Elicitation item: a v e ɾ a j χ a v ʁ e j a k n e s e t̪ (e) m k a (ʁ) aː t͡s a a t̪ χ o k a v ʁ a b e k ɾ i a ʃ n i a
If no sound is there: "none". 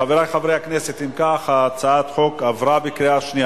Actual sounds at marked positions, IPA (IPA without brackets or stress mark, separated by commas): i, χ